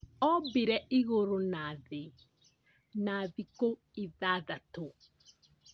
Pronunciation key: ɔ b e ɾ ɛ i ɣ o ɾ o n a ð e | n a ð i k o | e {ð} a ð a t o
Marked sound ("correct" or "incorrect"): correct